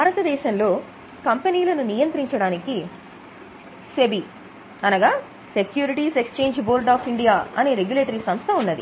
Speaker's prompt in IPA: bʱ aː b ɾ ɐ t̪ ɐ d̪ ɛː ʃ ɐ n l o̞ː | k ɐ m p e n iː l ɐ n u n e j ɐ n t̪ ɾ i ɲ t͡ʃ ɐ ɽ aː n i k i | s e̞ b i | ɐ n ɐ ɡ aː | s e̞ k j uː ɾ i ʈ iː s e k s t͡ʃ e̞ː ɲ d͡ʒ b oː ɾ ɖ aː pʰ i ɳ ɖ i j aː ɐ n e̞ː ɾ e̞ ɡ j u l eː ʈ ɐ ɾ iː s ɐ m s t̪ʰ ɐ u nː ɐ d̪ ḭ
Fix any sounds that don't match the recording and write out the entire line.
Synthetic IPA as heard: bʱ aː ɾ ɐ t̪ ɐ d̪ ɛː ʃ ɐ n l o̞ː | k ɐ m p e n iː l ɐ n u n i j ɐ n t̪ ɾ i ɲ t͡ʃ ɐ ɽ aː n i k i | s e̞ b i | ɐ n ɐ ɡ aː | s e̞ k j uː ɾ i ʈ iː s e k s t͡ʃ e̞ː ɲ d͡ʒ b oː ɾ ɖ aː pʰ i ɳ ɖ i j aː ɐ n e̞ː ɾ e̞ ɡ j u l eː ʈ ɐ ɾ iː s ɐ m s t̪ʰ ɐ u nː ɐ d̪ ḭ